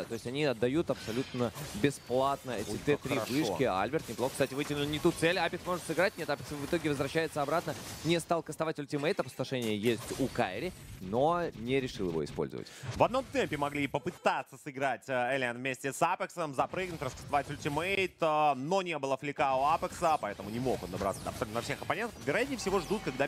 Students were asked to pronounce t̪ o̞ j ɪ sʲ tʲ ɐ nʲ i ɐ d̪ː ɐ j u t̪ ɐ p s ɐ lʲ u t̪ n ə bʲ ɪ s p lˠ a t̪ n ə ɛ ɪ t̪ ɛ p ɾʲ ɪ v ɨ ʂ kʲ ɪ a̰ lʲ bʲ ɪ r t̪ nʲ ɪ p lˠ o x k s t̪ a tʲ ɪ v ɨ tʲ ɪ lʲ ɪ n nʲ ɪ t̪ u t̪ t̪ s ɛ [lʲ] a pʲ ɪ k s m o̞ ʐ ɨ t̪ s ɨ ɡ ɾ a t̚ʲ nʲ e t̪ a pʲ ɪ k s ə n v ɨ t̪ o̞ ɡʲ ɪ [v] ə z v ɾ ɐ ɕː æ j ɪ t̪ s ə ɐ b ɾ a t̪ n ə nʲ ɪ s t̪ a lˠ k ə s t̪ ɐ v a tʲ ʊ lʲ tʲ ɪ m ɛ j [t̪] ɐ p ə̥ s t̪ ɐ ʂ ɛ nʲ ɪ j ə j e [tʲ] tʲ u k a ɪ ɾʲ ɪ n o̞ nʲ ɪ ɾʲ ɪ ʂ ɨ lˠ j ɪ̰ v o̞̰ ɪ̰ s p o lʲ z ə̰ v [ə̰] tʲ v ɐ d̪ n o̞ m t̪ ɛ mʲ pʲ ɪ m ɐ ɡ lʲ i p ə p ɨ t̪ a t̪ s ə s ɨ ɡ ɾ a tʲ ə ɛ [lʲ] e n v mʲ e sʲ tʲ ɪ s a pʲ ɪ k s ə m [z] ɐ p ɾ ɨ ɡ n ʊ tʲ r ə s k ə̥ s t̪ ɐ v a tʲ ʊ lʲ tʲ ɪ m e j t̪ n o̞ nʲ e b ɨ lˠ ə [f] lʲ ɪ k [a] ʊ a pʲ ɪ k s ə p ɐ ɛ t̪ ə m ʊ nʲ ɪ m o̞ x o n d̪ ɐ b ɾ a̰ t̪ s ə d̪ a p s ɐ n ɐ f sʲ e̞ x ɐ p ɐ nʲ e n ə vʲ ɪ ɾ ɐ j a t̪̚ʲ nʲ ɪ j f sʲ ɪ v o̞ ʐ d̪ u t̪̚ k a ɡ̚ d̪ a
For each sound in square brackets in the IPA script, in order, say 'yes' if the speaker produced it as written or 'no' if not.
yes, yes, yes, no, yes, yes, yes, yes, yes

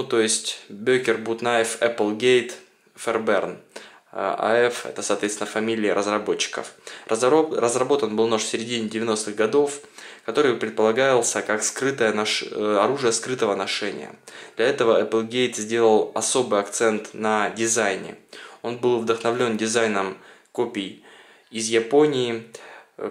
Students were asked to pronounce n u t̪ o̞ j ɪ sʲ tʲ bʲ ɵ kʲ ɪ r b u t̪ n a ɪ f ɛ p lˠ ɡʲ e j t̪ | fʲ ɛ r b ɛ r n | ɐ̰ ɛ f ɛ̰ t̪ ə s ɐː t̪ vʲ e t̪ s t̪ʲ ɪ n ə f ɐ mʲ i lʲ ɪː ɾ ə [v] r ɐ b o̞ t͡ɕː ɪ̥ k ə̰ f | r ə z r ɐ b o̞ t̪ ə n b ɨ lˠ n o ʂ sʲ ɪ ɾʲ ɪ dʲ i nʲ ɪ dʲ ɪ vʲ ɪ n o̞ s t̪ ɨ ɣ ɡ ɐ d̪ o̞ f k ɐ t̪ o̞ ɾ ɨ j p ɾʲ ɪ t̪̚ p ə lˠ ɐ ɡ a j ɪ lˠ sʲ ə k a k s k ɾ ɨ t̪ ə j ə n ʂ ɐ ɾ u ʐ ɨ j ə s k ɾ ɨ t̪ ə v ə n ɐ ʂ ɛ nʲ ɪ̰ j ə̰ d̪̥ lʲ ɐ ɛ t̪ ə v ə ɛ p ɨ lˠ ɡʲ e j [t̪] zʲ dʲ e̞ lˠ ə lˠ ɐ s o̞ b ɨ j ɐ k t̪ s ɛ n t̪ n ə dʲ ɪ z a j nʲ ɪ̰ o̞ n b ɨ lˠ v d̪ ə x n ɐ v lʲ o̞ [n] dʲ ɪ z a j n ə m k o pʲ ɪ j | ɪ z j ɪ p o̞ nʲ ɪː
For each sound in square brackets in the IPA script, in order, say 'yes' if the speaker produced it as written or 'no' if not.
no, yes, yes

